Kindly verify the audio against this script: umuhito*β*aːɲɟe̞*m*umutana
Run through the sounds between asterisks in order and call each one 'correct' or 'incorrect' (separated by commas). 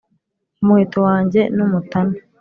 incorrect, incorrect